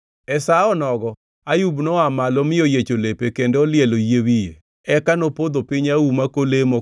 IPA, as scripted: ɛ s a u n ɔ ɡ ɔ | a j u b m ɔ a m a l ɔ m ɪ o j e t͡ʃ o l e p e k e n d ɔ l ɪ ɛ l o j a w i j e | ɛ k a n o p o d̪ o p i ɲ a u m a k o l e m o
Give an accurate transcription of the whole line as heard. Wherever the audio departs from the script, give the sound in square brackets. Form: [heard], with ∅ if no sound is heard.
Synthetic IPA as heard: ɛ s a [ɔ] n ɔ ɡ ɔ | a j u b [n] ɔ a m a l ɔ m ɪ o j e t͡ʃ o l e p e k e n d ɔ l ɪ ɛ l o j [e] w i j e | ɛ k a n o p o d̪ o p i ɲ a u m a k o l e m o

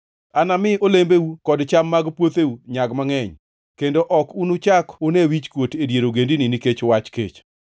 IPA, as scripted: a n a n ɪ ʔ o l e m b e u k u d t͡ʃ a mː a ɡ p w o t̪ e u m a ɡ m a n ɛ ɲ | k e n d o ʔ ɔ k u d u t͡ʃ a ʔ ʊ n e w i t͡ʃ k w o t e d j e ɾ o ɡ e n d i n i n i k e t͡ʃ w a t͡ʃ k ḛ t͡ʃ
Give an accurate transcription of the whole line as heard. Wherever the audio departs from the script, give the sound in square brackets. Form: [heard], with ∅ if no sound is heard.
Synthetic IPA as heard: a n a [m] ɪ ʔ o l e m b e u k [ɔ] d t͡ʃ a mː a ɡ p w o t̪ e u [ɲ] a ɡ m a [ŋ] ɛ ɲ | k e n d o ʔ ɔ k u [n] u t͡ʃ a [k] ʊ n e w i t͡ʃ k w o t e d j e ɾ o ɡ e n d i n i n i k e t͡ʃ w a t͡ʃ k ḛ t͡ʃ

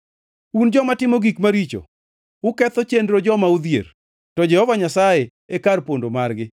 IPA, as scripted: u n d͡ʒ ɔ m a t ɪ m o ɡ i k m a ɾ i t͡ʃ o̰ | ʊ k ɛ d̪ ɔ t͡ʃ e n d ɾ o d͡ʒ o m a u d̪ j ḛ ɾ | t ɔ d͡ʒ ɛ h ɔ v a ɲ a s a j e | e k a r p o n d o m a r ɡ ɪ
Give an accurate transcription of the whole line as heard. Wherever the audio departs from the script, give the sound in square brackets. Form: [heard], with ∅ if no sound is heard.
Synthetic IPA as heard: u n d͡ʒ ɔ m a t ɪ m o ɡ i k m a ɾ i t͡ʃ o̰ | ʊ k ɛ [t̪] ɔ t͡ʃ e n d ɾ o d͡ʒ [ɔ] m a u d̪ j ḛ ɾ | t ɔ d͡ʒ ɛ h ɔ v a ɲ a s a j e | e k a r p o n d o m a r ɡ ɪ

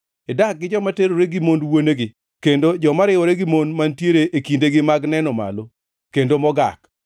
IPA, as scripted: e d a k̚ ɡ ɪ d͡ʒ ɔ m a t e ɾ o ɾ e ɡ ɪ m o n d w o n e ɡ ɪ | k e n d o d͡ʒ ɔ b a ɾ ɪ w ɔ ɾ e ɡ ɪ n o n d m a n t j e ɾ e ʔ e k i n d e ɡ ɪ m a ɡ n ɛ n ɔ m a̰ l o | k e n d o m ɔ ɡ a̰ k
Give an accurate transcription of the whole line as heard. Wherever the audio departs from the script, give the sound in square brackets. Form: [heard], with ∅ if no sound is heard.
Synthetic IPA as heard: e d a k̚ ɡ ɪ d͡ʒ ɔ m a t e ɾ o ɾ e ɡ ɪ m o n d w o n e ɡ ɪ | k e n d o d͡ʒ ɔ [m] a ɾ ɪ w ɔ ɾ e ɡ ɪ [m] o n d m a n t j e ɾ e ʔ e k i n d e ɡ ɪ m a ɡ n ɛ n ɔ m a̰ l o | k e n d o m ɔ ɡ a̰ k

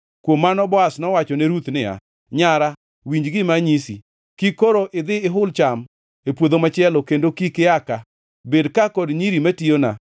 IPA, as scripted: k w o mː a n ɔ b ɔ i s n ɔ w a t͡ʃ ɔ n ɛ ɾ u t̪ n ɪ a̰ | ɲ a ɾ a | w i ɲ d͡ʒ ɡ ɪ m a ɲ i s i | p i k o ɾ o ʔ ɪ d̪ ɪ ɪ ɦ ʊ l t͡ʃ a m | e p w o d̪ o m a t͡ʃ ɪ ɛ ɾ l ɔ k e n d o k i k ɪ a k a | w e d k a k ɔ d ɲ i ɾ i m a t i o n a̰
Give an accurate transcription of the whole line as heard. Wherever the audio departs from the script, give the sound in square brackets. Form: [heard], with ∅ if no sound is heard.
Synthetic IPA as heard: k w o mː a n ɔ b ɔ [a] s n ɔ w a t͡ʃ ɔ n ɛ ɾ u t̪ n ɪ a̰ | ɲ a ɾ a | w i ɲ d͡ʒ ɡ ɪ m a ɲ i s i | [k] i k o ɾ o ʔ ɪ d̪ ɪ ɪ ɦ ʊ l t͡ʃ a m | e p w o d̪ o m a t͡ʃ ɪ ɛ [∅] l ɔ k e n d o k i k ɪ a k a | [b] e d k a k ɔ d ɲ i ɾ i m a t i o n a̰

